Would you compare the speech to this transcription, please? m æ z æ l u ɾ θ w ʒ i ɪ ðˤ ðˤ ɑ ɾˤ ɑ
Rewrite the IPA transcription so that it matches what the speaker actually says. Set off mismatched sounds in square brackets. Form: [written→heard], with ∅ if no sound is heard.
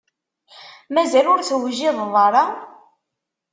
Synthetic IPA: m æ z æ l [u→ʊ] ɾ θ w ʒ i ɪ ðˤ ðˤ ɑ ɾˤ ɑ